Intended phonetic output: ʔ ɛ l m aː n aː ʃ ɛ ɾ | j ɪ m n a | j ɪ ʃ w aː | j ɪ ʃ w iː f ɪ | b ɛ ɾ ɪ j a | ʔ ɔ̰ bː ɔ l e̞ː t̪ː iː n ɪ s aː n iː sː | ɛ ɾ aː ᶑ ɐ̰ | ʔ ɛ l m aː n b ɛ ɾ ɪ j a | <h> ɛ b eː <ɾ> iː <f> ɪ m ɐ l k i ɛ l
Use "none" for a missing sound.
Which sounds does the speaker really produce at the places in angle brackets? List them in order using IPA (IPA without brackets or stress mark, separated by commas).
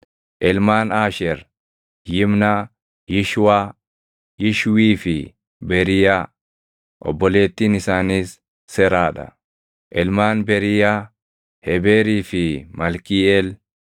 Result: h, ɾ, f